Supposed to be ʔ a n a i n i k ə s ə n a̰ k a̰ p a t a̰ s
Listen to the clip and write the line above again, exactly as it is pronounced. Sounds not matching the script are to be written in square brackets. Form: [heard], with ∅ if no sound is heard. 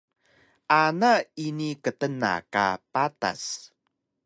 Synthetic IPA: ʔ a n a i n i k ə [t] ə n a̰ k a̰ p a t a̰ s